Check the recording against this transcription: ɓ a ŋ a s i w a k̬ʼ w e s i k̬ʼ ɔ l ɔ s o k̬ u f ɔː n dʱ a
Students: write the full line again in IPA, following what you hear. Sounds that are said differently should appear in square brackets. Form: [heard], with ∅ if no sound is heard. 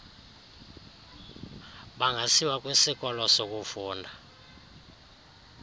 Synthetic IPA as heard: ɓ a ŋ a s i w a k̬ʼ w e s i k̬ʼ ɔ l ɔ s o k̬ u f [uː] n dʱ a